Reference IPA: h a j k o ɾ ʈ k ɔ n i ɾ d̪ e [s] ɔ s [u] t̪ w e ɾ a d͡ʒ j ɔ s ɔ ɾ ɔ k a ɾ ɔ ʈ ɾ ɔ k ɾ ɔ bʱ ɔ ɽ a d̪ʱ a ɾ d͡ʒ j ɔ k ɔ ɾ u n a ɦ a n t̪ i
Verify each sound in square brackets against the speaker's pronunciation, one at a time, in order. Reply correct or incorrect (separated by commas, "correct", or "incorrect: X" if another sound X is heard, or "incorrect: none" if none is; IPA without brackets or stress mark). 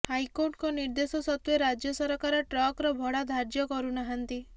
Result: correct, incorrect: ɔ